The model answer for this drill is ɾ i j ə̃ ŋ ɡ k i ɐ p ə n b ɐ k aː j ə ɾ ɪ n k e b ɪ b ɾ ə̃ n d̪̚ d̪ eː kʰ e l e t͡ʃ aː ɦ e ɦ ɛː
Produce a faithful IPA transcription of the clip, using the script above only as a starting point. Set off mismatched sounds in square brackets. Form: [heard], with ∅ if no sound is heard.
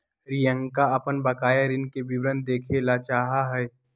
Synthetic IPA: ɾ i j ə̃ ŋ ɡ k [a] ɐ p ə n b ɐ k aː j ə ɾ ɪ n k e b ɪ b ɾ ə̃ n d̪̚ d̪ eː kʰ e l [a] t͡ʃ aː ɦ [a] ɦ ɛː